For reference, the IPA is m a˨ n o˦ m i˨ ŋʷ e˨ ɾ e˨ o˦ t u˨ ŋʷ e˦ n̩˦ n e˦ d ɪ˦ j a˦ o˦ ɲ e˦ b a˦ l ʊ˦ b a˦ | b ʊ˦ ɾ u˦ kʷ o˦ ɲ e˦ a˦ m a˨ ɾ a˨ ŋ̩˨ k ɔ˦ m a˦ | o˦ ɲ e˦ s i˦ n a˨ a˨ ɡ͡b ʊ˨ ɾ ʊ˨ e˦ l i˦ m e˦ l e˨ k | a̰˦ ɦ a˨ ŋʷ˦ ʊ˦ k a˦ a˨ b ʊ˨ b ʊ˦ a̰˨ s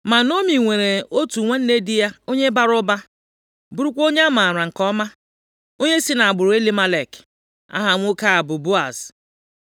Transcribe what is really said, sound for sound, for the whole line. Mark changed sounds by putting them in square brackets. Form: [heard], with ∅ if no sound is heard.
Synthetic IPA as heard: m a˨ n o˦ m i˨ ŋʷ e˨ ɾ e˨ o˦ t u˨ ŋʷ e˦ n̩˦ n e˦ d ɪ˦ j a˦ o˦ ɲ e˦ b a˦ [ɾ] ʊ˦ b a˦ | b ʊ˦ ɾ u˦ kʷ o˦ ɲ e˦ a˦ m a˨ ɾ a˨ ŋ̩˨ k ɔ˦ m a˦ | o˦ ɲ e˦ s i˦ n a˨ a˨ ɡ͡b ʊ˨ ɾ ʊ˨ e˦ l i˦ m [a˦] l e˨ k | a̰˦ ɦ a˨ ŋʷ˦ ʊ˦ k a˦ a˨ b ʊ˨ b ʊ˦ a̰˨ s